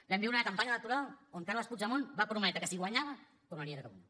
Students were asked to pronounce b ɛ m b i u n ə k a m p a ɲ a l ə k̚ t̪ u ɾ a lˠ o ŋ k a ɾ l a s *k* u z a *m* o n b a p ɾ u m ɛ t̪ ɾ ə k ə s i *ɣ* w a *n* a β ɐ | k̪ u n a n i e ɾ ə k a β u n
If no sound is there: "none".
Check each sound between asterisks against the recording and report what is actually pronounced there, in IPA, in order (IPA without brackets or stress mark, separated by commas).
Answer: p, m, ɣ, ɲ